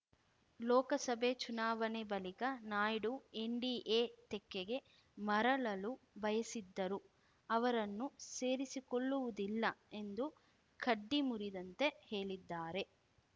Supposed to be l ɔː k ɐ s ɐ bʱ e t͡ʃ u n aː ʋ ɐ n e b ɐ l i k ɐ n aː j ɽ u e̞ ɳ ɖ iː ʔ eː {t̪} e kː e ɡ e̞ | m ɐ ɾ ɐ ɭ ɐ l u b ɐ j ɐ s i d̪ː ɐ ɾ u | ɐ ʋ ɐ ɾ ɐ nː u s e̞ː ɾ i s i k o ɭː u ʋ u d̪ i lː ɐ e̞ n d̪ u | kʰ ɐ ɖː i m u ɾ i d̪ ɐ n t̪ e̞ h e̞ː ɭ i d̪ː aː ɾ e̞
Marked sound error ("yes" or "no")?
no